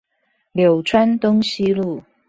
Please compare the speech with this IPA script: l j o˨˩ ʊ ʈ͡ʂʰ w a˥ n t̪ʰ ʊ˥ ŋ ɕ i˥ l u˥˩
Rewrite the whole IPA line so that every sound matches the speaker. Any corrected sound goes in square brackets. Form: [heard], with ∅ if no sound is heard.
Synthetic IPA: l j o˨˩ ʊ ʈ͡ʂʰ w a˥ n [t̪] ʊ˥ ŋ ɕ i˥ l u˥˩